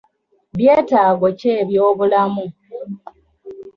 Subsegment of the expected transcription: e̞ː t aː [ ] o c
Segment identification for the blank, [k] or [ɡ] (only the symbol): ɡ